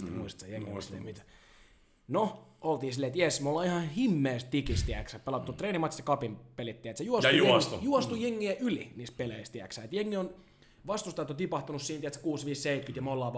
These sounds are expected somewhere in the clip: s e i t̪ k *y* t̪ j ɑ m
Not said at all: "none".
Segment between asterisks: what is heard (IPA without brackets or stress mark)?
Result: y